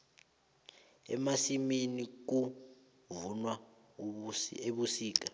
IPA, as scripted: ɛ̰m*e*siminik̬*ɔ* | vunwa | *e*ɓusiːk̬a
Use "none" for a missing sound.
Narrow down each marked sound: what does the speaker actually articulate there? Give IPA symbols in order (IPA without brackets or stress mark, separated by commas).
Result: a, u, e